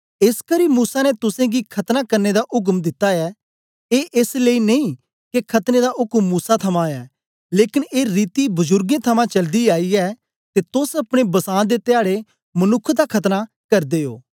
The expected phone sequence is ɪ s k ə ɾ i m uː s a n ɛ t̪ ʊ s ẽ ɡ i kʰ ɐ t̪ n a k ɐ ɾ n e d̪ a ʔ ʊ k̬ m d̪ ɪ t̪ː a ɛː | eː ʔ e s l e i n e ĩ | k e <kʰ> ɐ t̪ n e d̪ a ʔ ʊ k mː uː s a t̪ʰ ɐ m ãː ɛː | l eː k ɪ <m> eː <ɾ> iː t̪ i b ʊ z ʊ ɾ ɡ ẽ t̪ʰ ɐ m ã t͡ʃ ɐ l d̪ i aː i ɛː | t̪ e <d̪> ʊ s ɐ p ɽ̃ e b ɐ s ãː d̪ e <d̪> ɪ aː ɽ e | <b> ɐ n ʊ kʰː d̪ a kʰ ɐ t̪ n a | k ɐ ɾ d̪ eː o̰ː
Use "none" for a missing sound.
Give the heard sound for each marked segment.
kʰ, n, ɾ, t̪, t̪, m

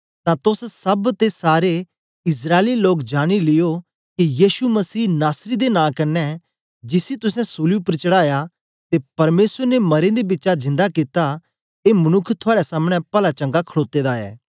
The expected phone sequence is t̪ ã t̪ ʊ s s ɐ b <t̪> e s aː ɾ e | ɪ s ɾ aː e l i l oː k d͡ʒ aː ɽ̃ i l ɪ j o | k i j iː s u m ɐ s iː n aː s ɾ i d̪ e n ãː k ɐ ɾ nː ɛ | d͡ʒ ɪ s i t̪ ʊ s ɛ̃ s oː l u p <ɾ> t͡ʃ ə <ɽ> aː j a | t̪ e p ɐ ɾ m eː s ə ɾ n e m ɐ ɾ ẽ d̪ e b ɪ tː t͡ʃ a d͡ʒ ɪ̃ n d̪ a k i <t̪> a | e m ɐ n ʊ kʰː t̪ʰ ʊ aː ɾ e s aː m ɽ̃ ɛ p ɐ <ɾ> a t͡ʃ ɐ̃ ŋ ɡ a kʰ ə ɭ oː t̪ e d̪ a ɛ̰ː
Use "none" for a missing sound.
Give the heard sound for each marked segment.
t̪, ɾ, ɽ, t̪, l

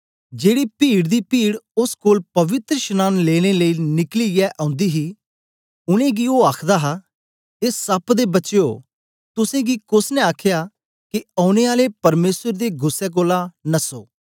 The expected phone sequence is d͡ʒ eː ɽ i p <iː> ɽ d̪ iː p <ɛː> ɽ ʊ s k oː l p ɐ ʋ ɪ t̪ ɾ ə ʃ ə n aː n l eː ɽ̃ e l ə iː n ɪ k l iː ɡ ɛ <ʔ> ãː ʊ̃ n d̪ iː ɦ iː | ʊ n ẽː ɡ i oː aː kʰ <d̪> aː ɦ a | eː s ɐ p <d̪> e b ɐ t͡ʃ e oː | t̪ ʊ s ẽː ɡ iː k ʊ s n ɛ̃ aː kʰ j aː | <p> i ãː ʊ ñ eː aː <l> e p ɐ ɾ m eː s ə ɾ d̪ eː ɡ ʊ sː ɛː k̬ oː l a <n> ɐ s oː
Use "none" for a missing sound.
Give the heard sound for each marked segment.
iː, iː, ʔ, d̪, d̪, k, l, n

